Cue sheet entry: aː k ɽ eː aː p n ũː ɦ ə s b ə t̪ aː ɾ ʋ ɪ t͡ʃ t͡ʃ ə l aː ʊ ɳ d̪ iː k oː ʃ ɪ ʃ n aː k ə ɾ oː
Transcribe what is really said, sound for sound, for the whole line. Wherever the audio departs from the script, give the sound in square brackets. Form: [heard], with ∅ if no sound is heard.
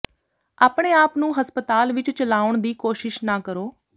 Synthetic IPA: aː [p] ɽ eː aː p n ũː ɦ ə s [p] ə t̪ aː [l] ʋ ɪ t͡ʃ t͡ʃ ə l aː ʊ ɳ d̪ iː k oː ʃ ɪ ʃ n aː k ə ɾ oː